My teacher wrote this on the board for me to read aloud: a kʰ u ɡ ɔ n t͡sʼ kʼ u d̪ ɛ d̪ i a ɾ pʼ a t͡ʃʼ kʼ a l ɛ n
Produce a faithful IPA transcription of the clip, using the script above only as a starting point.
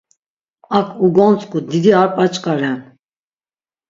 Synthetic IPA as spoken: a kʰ u ɡ ɔ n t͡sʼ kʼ u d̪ i d̪ i a ɾ pʼ a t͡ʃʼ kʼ a ɾ ɛ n